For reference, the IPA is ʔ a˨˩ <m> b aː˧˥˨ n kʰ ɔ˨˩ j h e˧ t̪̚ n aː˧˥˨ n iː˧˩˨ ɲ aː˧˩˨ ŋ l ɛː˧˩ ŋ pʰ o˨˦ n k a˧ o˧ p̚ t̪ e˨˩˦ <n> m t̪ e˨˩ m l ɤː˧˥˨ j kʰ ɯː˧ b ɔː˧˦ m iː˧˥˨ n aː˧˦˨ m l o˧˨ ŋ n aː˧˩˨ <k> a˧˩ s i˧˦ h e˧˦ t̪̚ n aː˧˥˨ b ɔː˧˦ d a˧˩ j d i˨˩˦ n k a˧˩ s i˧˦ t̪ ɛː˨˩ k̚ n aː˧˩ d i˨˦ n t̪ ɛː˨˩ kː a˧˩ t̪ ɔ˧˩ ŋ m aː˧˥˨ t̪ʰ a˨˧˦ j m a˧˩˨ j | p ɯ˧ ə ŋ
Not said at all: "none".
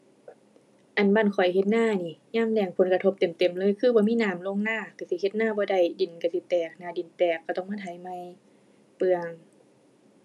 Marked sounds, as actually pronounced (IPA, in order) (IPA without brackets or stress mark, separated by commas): n, none, k